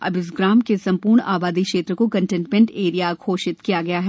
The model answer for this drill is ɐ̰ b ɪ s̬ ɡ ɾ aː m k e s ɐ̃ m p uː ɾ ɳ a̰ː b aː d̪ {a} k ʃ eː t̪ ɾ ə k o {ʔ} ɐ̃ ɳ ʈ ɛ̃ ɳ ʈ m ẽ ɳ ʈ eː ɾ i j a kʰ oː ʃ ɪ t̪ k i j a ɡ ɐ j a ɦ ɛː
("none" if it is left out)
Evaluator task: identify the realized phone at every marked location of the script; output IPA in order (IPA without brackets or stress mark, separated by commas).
i, k